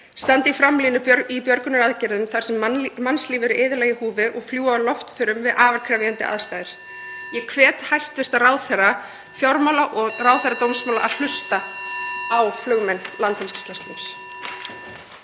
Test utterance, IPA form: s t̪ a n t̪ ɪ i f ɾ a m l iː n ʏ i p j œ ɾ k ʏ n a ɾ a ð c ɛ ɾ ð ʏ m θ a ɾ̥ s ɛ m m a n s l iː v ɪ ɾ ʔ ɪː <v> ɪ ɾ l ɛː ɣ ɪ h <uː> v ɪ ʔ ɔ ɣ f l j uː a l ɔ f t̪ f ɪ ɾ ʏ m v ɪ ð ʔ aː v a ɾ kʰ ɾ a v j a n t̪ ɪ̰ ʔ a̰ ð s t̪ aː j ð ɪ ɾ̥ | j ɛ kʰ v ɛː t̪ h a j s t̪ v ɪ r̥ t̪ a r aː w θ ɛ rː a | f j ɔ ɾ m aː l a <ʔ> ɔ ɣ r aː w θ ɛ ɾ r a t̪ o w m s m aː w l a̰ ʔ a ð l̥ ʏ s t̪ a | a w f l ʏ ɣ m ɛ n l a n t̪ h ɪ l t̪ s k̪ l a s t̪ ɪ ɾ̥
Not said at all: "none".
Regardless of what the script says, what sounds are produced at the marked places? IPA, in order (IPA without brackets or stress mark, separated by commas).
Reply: ð, uː, ʔ